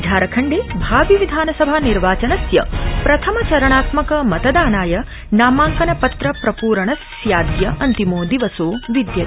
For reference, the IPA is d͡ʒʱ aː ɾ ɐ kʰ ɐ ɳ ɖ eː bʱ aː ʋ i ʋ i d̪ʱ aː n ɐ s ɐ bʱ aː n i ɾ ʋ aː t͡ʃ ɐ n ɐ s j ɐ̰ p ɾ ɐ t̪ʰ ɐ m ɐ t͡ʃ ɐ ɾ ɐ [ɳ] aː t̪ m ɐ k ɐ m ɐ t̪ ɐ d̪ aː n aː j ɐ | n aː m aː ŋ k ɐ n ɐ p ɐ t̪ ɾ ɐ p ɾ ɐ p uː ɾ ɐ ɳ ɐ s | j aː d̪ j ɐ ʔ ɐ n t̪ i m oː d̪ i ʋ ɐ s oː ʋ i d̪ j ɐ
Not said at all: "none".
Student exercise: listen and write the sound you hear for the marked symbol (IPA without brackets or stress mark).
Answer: ɳ